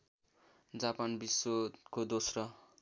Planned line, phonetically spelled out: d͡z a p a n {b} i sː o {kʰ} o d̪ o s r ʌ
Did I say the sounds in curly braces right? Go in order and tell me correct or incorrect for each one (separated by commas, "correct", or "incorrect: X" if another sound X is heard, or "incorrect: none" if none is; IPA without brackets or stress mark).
correct, incorrect: k